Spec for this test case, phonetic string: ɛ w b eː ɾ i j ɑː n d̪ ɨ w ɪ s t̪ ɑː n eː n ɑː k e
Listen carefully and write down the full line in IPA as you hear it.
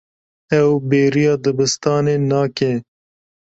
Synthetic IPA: ɛ w b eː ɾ i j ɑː d̪ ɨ b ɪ s t̪ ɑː n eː n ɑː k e